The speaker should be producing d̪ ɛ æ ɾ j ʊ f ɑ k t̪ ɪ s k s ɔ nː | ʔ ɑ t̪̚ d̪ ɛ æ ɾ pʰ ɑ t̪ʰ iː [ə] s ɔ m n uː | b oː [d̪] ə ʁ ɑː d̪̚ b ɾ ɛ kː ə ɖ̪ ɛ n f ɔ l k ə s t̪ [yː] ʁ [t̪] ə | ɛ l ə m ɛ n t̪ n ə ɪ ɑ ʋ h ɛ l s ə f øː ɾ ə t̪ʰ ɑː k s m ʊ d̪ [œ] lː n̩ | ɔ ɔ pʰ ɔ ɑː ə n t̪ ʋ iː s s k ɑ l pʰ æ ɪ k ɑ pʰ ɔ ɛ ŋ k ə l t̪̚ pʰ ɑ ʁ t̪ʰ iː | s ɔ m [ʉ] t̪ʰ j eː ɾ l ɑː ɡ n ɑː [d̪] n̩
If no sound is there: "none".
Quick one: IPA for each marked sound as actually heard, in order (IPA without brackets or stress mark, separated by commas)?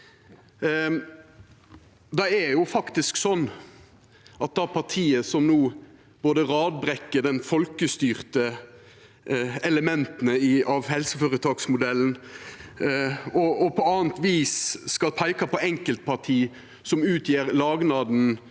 ə, d̪, yː, t̪, ɛ, ʉː, d̪